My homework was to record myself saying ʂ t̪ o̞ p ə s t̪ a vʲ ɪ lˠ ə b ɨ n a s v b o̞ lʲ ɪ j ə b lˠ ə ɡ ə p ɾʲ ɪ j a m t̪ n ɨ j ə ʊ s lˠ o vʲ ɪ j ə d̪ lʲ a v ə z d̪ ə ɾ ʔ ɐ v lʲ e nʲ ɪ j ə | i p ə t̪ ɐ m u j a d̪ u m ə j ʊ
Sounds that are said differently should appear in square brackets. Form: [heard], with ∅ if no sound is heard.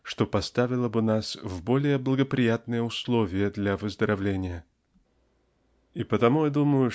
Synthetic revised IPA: ʂ t̪ o̞ p [ɐ] s t̪ a vʲ ɪ lˠ ə b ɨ n a s v b o̞ lʲ ɪ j ə b lˠ ə ɡ ə p ɾʲ ɪ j a [∅] t̪ n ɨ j ə ʊ s lˠ o vʲ ɪ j ə d̪ lʲ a v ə z d̪ ə ɾ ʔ ɐ v lʲ e nʲ ɪ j ə | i p ə t̪ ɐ m u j a d̪ u m ə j ʊ

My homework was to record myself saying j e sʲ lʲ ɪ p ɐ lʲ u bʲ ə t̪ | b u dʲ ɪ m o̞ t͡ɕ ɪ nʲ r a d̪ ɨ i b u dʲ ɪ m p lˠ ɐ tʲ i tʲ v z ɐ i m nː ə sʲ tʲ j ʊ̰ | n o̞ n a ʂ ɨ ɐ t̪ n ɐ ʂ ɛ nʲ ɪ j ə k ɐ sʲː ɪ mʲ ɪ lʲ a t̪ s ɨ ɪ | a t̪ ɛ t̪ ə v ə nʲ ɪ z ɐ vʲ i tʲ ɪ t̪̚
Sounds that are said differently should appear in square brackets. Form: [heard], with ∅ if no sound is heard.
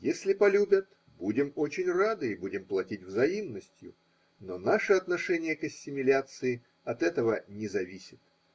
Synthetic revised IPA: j e sʲ lʲ ɪ p ɐ lʲ u bʲ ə t̪ | b u dʲ ɪ m o̞ t͡ɕ ɪ nʲ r a d̪ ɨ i b u dʲ ɪ m p lˠ ɐ tʲ i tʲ v z ɐ i m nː ə sʲ tʲ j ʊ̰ | n o̞ n a ʂ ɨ ɐ t̪ n ɐ ʂ ɛ nʲ ɪ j ə k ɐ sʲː ɪ mʲ ɪ lʲ a t̪ s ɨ ɪ | [ɐ] t̪ ɛ t̪ ə v ə nʲ ɪ z ɐ vʲ i [sʲ] ɪ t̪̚

